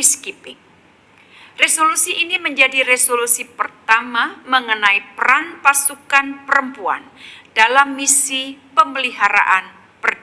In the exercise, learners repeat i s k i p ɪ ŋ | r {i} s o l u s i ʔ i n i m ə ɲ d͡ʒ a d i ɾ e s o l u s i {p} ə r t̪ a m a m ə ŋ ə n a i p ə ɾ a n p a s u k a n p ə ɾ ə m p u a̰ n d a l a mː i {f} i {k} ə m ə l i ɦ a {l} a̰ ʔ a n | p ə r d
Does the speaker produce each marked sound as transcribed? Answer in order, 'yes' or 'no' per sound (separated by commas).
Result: no, yes, no, no, no